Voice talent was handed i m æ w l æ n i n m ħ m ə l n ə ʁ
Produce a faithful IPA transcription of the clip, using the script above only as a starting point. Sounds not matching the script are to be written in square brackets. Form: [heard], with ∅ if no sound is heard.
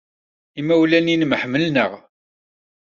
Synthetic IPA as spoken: i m æ w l æ n i n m ħ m ə l n ə ʁ

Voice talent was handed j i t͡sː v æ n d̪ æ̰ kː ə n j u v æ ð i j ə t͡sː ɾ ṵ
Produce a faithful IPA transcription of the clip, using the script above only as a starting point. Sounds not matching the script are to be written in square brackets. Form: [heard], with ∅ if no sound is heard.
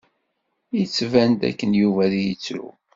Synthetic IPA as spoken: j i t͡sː v æ n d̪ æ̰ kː ə n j u v æ ð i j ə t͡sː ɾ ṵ

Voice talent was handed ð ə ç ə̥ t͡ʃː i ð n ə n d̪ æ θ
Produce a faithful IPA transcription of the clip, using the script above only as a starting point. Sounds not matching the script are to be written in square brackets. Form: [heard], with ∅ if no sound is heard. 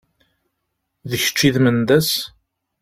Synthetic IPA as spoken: ð ə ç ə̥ t͡ʃː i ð [m] ə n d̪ æ [s]

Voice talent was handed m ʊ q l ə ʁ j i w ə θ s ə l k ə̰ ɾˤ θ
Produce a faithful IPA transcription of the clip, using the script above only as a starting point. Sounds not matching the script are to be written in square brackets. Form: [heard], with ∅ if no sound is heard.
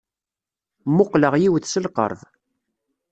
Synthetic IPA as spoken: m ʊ q l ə ʁ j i w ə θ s ə l [q] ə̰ ɾˤ [ð]

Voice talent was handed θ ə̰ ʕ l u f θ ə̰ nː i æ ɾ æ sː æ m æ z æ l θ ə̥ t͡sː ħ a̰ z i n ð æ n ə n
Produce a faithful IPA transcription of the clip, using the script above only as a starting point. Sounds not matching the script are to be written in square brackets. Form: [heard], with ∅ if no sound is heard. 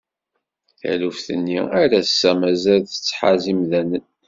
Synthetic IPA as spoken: θ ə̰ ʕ l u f θ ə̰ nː i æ ɾ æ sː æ m æ z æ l θ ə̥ t͡sː ħ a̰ z i [m] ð æ n ə n

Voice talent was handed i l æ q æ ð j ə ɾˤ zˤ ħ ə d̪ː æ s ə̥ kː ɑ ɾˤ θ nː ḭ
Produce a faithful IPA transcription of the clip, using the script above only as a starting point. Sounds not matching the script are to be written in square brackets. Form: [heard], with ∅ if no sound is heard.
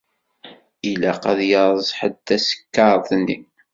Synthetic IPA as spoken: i l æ q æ ð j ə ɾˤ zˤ ħ ə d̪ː æ s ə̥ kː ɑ ɾˤ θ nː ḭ

